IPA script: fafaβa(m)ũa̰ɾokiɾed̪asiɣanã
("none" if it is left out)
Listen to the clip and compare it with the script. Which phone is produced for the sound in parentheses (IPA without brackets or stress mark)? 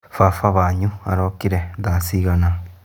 ɲ